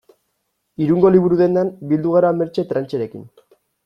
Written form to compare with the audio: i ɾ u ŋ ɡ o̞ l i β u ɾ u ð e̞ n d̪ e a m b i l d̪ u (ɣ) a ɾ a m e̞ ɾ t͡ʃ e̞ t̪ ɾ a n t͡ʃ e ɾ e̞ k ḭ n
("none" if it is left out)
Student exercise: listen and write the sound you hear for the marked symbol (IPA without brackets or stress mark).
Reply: ɣ